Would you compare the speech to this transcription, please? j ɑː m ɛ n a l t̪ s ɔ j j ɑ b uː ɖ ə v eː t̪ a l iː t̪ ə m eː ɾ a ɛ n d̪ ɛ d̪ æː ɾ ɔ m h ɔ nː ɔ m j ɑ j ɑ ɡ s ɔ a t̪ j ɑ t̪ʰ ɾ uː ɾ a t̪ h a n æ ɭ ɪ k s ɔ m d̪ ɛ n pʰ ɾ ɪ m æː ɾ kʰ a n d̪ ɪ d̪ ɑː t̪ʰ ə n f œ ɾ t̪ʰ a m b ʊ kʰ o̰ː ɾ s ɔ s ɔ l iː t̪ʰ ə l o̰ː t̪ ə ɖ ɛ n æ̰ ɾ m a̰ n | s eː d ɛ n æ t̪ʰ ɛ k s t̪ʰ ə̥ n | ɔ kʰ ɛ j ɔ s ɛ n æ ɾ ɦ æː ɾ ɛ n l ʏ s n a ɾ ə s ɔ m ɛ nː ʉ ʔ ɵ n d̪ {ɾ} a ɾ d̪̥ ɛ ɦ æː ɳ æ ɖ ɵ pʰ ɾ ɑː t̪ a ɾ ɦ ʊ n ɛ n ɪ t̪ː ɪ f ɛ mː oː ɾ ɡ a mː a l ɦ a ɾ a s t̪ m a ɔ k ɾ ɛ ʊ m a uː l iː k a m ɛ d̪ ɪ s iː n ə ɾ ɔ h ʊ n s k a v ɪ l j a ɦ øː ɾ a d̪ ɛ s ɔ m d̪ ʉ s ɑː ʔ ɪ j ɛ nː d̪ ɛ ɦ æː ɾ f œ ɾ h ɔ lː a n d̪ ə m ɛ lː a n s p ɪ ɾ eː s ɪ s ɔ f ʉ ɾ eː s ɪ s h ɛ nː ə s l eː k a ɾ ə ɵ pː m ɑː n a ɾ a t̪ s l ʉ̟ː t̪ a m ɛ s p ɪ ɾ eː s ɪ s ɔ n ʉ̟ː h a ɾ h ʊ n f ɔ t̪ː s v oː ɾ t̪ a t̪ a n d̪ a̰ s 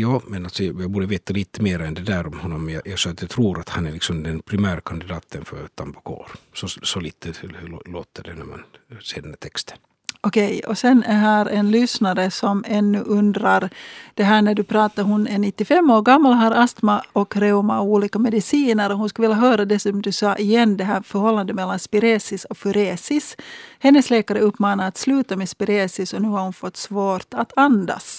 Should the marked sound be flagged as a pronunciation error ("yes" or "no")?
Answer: no